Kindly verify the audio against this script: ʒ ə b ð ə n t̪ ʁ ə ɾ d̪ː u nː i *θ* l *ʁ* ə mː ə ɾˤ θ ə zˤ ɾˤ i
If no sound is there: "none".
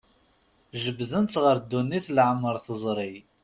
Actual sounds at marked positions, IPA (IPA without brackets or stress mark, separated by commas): θ, ʕ